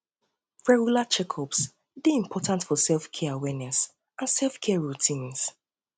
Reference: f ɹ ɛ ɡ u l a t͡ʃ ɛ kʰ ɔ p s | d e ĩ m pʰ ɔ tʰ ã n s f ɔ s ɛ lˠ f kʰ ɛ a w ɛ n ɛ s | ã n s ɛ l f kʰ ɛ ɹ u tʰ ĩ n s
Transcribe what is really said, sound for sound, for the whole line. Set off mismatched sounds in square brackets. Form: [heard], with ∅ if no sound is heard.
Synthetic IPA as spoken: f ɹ ɛ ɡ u l a t͡ʃ ɛ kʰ ɔ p s | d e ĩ m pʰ ɔ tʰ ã n [t] f ɔ s ɛ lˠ f kʰ ɛ a w ɛ n ɛ s | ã n s ɛ l f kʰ ɛ ɹ u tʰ ĩ n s